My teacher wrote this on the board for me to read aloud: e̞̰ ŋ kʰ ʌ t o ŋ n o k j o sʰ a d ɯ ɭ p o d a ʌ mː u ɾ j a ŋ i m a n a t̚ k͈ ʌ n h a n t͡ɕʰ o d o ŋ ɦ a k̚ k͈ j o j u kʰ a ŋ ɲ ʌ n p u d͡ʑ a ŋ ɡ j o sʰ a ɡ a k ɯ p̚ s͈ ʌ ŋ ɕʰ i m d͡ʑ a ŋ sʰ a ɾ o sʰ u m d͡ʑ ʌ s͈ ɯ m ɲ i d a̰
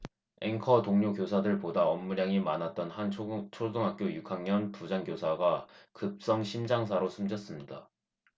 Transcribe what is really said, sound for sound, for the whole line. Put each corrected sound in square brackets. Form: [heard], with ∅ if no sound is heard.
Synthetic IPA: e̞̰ ŋ kʰ ʌ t o ŋ [ɲ] o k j o sʰ a d ɯ ɭ p o d a ʌ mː u ɾ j a ŋ i m a n a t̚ [t͈] ʌ n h a n t͡ɕʰ o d o ŋ ɦ a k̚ k͈ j o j u kʰ a ŋ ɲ ʌ n p u d͡ʑ a ŋ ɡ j o sʰ a ɡ a k ɯ p̚ s͈ ʌ ŋ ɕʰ i m d͡ʑ a ŋ sʰ a ɾ o sʰ u m d͡ʑ ʌ s͈ ɯ m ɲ i d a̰